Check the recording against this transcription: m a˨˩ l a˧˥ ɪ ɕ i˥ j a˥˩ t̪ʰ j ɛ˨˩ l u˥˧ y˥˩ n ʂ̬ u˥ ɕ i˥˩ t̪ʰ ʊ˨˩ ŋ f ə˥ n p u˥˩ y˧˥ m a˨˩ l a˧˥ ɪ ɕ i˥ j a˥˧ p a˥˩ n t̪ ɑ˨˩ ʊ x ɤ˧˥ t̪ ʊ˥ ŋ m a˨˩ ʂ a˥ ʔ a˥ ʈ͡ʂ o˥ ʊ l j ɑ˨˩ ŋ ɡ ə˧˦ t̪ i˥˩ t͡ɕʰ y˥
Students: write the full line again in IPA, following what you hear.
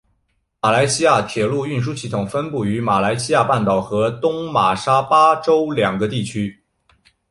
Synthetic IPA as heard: m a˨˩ l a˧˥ ɪ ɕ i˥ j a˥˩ t̪ʰ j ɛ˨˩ l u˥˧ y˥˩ n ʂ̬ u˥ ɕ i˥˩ t̪ʰ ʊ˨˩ ŋ f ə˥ n p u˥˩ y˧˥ m a˨˩ l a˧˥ ɪ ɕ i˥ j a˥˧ p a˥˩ n t̪ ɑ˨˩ ʊ x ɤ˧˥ t̪ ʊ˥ ŋ m a˨˩ ʂ a˥ p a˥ ʈ͡ʂ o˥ ʊ l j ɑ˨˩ ŋ ɡ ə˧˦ t̪ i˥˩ t͡ɕʰ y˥